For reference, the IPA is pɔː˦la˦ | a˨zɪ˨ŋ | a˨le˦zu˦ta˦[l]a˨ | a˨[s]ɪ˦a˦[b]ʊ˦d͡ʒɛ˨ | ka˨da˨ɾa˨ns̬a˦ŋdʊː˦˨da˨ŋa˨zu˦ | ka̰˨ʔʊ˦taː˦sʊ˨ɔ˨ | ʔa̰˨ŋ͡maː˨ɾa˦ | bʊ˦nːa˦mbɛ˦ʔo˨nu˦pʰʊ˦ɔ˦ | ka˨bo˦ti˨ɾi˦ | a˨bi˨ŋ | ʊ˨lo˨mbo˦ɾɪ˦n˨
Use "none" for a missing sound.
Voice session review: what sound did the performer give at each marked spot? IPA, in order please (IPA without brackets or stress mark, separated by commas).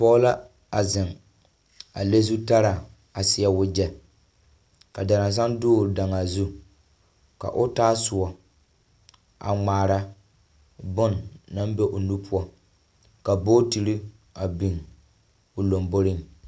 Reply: ɾ, s, w